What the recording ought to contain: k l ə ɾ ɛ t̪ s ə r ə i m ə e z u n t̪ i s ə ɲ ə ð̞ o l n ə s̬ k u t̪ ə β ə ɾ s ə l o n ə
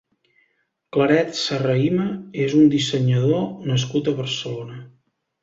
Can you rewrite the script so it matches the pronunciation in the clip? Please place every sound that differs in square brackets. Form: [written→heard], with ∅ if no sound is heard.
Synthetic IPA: k l ə ɾ ɛ t̪ s ə r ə i m ə e z u n [t̪→d̪] i s ə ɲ ə ð̞ o [l→∅] n ə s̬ k u t̪ ə β ə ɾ s ə l o n ə